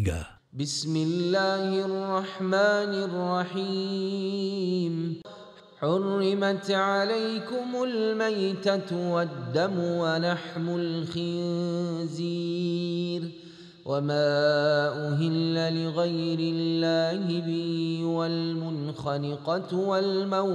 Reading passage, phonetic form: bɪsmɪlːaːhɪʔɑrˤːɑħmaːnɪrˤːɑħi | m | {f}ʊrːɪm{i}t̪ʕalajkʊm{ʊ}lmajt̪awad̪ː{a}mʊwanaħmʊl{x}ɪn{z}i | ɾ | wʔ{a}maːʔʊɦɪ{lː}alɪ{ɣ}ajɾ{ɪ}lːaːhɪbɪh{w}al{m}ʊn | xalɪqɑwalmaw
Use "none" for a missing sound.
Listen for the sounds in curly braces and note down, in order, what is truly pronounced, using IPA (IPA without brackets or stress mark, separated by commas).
ħ, a, ʊ, a, x, z, a, lː, ɣ, ɪ, w, m